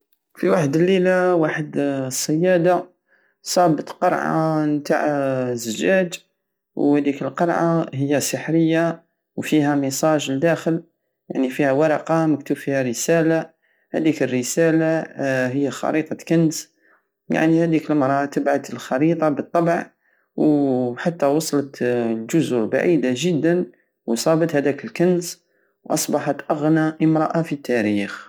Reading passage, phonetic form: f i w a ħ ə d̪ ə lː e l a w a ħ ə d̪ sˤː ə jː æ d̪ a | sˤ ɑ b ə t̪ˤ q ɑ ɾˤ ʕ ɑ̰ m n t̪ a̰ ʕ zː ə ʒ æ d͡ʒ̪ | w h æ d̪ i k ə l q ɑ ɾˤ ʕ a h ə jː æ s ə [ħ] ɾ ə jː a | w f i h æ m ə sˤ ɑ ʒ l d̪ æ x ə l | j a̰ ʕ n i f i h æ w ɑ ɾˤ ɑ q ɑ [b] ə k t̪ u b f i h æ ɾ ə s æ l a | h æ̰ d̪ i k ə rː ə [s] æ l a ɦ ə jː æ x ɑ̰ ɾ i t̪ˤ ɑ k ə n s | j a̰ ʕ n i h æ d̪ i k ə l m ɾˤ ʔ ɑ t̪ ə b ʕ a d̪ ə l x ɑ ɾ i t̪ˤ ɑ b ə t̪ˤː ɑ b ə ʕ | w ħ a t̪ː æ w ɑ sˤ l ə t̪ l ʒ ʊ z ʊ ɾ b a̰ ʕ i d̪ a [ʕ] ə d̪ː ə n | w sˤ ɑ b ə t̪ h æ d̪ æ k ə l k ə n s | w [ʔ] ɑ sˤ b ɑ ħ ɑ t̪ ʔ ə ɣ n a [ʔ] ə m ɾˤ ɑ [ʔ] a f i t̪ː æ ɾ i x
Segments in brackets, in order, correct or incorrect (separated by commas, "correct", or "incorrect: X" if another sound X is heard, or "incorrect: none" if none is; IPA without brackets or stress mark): correct, incorrect: m, correct, incorrect: ʒ, correct, correct, correct